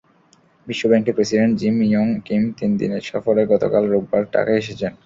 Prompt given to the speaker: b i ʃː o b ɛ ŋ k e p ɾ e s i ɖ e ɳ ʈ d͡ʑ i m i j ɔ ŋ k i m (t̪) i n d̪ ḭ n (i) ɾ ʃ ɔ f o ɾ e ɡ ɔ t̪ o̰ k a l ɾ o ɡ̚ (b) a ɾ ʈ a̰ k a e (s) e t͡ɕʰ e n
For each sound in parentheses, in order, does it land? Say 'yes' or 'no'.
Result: yes, no, yes, no

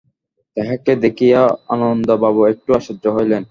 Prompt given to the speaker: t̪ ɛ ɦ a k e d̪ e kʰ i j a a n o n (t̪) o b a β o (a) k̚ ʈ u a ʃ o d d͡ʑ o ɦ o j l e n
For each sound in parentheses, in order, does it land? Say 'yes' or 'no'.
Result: no, no

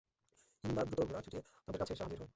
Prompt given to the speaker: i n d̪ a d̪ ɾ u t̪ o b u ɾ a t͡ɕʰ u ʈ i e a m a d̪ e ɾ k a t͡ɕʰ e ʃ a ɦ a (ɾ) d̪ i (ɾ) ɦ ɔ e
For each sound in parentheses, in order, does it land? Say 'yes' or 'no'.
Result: no, yes

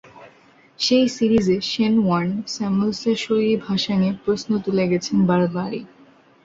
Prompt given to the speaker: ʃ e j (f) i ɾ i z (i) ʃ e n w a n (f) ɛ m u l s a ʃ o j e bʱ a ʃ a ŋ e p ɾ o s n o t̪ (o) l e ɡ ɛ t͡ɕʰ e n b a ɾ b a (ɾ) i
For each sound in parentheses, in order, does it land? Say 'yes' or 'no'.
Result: no, no, no, no, yes

